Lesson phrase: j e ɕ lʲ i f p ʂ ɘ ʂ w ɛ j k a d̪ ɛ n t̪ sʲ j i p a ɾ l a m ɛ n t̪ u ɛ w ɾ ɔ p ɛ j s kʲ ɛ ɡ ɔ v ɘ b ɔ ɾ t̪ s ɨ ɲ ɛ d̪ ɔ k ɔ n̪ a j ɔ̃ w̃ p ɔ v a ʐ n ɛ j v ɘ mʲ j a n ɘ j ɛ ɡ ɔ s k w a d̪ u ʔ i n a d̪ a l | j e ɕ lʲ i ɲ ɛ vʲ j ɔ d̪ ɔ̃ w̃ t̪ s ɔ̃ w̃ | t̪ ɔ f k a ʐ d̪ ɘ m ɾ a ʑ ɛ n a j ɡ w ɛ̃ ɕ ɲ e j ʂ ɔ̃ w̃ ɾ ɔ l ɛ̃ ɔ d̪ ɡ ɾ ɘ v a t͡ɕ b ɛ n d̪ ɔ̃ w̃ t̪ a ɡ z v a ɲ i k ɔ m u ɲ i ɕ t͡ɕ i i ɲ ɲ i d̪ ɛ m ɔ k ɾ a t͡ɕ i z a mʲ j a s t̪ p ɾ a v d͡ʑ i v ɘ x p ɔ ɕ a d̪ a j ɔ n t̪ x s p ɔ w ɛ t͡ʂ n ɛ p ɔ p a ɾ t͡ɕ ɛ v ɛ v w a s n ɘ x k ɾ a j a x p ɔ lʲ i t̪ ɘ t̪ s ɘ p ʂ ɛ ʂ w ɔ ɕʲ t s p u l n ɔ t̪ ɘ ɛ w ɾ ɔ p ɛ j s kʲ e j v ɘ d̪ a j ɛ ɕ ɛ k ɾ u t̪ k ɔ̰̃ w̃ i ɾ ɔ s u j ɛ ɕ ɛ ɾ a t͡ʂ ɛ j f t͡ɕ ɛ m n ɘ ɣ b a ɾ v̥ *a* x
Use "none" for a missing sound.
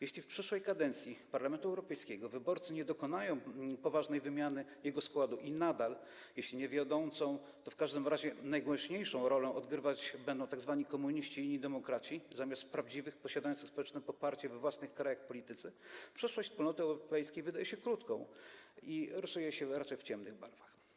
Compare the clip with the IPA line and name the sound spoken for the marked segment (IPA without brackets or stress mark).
a